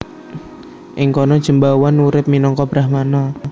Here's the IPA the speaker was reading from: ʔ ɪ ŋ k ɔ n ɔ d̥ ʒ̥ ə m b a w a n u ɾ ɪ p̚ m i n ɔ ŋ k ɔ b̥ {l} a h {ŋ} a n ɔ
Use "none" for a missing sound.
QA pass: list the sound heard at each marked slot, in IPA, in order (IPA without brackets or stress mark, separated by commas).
ɾ, m